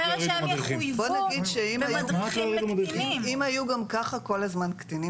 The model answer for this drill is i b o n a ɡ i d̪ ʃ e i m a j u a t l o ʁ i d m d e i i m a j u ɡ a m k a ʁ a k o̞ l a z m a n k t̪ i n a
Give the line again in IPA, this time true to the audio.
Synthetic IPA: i b o n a ɡ i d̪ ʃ e i m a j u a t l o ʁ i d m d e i i m a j u ɡ a m k a χ a k o̞ l a z m a n k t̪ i n i

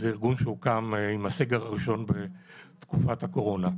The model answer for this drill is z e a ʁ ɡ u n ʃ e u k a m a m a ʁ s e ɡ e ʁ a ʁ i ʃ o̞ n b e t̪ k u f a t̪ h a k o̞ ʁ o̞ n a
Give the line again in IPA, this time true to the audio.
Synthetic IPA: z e i ʁ ɡ u n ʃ e u k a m i m a s e ɡ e ʁ a ʁ i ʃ o̞ n b e t̪ k u f a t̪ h a k o̞ ʁ o̞ n a

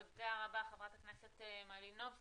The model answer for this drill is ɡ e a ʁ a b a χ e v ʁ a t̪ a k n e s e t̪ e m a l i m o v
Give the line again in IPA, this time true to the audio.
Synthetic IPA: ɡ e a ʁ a b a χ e v ʁ a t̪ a k n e s e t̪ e m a l i n o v

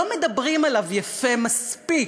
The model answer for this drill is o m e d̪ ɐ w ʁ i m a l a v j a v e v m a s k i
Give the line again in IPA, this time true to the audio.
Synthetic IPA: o m e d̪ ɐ b ʁ i m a l a v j a f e m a s p i

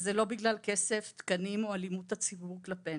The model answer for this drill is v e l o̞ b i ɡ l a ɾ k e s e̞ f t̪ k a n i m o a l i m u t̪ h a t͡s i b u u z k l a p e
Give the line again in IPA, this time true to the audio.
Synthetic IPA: z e l o̞ b i ɡ l a l k e s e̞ f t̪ k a n i m o a l i m u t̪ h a t͡s i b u u ʁ k l a p e

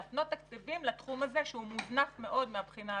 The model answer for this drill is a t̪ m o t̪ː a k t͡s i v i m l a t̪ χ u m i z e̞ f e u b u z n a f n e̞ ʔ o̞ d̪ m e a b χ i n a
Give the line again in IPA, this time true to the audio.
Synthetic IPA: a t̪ n o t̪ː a k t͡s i v i m l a t̪ χ u m a z e̞ ʃ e u m u z n a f m e̞ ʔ o̞ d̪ m e a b χ i n a

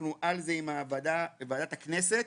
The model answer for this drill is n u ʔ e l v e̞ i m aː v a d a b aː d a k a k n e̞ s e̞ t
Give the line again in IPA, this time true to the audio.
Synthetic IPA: n u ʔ a l z e̞ i m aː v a d a v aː d a t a k n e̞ s e̞ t

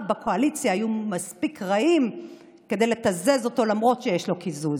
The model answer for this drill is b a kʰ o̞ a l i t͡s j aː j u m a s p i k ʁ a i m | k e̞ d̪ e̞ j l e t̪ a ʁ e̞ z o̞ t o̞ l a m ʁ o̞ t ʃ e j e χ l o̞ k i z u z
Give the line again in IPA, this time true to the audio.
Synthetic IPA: b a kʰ o̞ a l i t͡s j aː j u m a s p i k ʁ a i m | k e̞ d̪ e̞ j l e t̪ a z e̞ z o̞ t o̞ l a m ʁ o̞ t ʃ e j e ʃ l o̞ k i z u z

